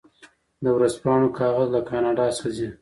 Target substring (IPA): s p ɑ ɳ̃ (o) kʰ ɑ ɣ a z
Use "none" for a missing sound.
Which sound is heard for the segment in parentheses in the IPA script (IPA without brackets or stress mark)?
o